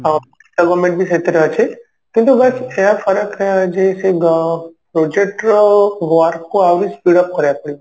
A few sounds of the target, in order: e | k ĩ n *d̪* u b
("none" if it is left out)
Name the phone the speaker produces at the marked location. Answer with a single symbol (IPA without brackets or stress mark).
t̪